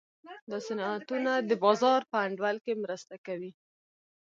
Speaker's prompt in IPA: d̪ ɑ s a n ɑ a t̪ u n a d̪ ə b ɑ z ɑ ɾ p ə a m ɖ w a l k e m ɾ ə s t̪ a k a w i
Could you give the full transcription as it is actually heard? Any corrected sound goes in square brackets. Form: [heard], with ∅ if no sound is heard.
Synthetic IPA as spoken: d̪ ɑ s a n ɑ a t̪ u n a d̪ ə b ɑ z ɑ ɾ p ə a [ɳ] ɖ w a l k e m ɾ ə s t̪ a k a w i